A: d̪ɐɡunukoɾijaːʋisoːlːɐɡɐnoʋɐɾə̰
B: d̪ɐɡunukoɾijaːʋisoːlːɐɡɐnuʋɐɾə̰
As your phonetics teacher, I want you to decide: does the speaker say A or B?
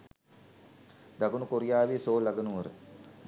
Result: B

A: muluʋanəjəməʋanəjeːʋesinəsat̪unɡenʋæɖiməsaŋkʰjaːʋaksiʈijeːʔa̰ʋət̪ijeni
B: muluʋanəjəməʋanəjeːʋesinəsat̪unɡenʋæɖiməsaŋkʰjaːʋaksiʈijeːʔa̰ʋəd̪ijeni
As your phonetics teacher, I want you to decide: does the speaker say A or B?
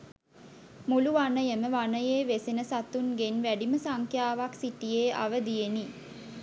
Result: B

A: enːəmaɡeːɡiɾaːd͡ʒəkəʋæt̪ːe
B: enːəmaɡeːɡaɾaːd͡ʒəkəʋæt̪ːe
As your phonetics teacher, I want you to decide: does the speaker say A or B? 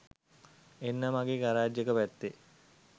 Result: B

